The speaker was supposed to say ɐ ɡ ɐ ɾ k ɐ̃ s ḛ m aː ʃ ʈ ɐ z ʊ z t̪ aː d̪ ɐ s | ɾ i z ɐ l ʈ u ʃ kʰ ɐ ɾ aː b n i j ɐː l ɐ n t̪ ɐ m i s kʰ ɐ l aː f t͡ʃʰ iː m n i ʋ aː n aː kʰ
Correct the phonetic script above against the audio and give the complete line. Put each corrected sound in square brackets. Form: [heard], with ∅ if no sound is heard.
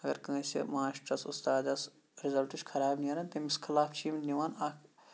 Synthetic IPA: ɐ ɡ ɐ ɾ k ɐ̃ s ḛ m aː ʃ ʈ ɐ [s] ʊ [s] t̪ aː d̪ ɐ s | ɾ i z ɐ l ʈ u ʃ kʰ ɐ ɾ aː b n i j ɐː [ɾ] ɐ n t̪ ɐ m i s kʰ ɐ l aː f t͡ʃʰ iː m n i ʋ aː n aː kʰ